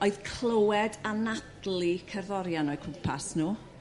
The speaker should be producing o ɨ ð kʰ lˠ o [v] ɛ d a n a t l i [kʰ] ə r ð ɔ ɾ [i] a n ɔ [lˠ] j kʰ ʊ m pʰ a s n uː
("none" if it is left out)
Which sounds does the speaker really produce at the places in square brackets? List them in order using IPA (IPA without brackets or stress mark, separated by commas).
w, kʰ, j, none